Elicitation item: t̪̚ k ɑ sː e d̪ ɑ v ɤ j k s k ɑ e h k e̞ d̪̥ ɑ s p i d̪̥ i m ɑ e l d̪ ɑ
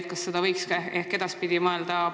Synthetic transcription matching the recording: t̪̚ k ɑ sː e d̪ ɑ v ɤ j k s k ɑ e h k e̞ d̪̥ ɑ s p i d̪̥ i m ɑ e l d̪ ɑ